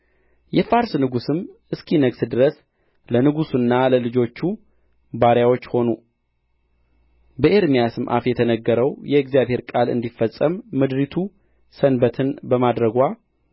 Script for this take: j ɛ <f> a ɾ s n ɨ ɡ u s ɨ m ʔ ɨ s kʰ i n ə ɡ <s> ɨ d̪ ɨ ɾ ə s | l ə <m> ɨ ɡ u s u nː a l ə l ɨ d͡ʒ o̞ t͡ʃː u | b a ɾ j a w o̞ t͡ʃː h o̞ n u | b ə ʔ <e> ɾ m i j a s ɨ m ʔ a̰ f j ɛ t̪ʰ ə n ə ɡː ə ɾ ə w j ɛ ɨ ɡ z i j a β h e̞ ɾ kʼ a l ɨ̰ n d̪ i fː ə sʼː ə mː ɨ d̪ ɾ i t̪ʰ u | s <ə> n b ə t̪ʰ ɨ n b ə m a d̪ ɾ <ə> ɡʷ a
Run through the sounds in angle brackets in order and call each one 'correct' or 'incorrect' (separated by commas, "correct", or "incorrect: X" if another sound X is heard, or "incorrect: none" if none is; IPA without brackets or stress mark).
correct, correct, incorrect: n, correct, correct, correct